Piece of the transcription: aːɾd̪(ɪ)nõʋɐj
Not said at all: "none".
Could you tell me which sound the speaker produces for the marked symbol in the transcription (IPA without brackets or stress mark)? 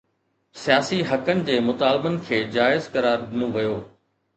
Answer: ɪ